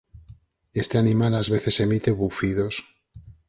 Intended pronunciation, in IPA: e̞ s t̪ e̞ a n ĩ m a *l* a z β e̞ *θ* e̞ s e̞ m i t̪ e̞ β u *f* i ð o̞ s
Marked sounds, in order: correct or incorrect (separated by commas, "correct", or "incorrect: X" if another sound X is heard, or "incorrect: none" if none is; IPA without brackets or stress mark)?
correct, correct, correct